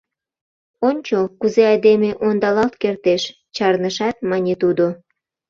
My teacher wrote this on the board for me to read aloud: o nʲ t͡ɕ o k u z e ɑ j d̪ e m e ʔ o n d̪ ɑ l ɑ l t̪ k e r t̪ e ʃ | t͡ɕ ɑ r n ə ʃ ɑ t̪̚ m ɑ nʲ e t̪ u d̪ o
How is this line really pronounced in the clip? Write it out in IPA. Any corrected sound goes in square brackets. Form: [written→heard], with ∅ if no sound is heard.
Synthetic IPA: o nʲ t͡ɕ o k u z e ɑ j d̪ e m e ʔ o n d̪ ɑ l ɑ l t̪ k e r t̪ e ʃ | t͡ɕ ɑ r n ə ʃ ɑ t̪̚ m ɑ nʲ e t̪ u d̪ o